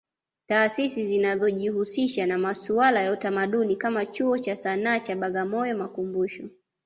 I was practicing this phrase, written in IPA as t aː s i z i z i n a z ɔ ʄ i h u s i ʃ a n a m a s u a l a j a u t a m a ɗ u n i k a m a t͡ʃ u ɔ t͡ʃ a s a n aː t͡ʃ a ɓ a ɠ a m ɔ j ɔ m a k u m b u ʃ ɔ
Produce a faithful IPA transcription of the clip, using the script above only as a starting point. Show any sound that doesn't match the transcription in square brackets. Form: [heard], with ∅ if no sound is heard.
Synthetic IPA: t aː s i [s] i z i n a z ɔ ʄ i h u s i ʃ a n a m a s u a l a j a u t a m a ɗ u n i k a m a t͡ʃ u ɔ t͡ʃ a s a n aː t͡ʃ a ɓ a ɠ a m ɔ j ɔ m a k u m b u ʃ ɔ